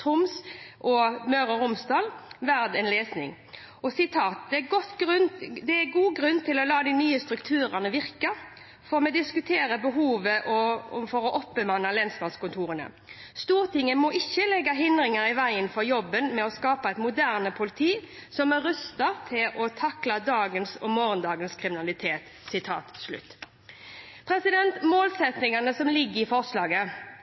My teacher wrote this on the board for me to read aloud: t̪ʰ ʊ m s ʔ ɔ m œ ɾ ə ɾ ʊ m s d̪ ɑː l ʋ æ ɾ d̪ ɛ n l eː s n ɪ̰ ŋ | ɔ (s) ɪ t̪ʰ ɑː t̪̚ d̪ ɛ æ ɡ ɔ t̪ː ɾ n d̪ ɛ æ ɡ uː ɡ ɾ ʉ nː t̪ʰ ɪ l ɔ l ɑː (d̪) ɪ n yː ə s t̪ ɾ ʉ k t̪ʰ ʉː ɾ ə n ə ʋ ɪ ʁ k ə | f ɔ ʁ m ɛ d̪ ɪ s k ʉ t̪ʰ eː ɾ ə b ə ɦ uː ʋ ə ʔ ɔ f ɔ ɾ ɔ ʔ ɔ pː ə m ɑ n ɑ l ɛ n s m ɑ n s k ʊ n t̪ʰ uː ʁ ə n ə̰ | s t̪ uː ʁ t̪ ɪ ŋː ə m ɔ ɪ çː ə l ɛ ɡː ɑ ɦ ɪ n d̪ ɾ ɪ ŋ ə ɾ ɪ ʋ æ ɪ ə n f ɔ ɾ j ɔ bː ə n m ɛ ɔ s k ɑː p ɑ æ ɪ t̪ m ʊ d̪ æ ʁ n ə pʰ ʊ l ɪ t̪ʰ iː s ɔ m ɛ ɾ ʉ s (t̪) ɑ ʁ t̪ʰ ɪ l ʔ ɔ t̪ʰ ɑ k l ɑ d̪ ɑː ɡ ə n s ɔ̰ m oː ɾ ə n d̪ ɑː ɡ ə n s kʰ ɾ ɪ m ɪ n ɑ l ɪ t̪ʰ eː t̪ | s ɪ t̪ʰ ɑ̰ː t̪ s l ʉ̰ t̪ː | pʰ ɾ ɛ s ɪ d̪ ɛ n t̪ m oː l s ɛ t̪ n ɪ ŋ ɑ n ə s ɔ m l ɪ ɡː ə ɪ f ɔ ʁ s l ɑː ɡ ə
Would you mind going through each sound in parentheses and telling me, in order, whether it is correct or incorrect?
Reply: correct, correct, correct

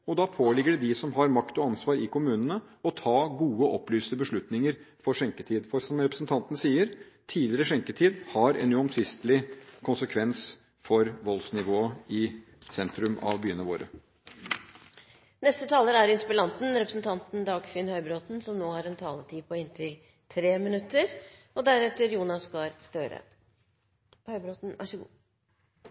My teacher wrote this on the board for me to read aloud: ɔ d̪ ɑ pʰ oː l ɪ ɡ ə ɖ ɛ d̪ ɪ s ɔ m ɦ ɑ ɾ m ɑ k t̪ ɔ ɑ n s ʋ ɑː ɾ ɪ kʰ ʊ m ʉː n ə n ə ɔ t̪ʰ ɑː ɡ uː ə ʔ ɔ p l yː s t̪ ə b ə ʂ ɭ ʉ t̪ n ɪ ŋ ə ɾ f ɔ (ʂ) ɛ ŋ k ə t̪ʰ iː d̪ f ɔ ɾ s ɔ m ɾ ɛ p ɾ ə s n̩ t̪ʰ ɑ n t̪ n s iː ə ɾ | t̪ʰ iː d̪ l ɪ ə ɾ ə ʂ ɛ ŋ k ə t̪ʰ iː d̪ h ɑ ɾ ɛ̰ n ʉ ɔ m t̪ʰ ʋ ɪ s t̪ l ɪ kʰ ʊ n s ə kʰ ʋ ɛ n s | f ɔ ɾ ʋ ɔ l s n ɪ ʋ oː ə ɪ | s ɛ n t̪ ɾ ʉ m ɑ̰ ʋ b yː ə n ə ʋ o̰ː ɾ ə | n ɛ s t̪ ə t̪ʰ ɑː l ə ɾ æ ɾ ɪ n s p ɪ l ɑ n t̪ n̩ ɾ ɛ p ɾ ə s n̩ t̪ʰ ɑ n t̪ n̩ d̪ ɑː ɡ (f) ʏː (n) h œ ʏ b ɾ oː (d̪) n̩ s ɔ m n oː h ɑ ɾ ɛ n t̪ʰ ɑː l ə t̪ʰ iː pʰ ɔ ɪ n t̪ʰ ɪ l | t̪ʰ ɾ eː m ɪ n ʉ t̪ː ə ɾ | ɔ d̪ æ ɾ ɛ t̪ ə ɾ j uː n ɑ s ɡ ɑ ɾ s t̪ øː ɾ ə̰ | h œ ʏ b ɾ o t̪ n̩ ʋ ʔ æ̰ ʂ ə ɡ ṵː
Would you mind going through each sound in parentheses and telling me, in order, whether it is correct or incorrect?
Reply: correct, correct, correct, incorrect: t̪

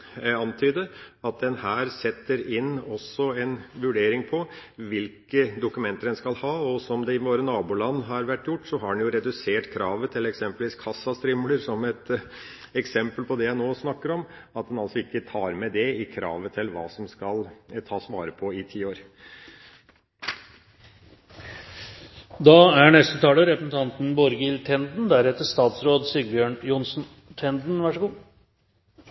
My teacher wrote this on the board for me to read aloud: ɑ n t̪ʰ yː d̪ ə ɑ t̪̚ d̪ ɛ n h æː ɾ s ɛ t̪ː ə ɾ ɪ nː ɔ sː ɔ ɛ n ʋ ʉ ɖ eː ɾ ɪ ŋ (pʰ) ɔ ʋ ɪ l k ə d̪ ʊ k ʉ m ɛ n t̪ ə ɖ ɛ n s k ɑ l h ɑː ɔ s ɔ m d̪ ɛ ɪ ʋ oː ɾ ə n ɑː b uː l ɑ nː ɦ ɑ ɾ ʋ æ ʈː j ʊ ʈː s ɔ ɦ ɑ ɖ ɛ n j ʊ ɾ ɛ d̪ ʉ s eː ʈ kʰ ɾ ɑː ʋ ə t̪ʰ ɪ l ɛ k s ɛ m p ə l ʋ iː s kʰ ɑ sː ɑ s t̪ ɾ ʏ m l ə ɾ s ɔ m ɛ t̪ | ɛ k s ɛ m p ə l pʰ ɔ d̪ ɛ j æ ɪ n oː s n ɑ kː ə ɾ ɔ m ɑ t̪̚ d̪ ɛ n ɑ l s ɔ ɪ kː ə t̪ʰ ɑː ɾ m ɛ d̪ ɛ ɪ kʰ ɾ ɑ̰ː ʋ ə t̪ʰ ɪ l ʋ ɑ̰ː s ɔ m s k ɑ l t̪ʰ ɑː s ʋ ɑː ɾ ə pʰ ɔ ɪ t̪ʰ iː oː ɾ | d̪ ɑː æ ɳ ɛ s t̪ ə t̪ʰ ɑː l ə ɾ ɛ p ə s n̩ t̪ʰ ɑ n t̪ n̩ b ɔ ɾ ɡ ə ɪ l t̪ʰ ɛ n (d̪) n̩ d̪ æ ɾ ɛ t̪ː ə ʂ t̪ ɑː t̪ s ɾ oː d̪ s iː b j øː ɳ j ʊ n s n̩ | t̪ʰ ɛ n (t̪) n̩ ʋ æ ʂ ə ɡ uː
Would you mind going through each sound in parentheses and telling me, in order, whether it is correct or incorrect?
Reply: correct, correct, incorrect: d̪

